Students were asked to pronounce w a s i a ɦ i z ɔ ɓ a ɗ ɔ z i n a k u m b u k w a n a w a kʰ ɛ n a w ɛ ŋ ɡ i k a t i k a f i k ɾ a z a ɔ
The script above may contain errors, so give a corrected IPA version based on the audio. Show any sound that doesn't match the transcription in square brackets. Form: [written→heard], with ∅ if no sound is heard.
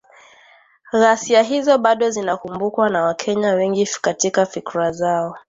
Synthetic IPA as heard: [w→ɣ] a s i a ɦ i z ɔ ɓ a ɗ ɔ z i n a k u m b u k w a n a w a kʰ ɛ [n→ɲ] a w ɛ ŋ ɡ i k a t i k a f i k ɾ a z a ɔ